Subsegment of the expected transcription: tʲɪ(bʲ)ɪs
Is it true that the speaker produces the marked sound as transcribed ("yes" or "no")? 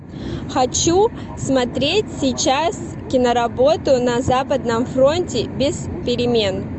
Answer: yes